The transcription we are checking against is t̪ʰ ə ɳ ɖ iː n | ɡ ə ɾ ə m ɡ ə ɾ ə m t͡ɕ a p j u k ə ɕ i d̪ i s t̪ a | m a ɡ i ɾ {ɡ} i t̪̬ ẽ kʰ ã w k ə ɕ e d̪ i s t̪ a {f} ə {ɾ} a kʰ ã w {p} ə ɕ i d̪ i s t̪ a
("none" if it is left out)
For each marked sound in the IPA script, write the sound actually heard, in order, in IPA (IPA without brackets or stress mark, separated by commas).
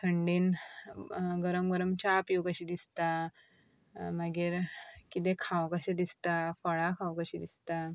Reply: k, f, ɭ, k